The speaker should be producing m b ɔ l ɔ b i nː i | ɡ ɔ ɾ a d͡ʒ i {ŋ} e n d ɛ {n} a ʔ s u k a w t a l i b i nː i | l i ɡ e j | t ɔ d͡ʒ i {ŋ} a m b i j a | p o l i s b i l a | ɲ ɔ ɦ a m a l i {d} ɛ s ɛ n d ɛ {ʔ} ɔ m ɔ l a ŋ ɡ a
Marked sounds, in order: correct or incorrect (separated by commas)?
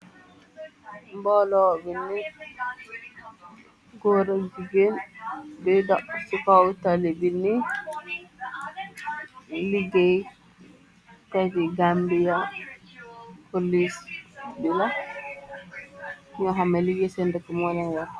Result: incorrect, incorrect, incorrect, incorrect, incorrect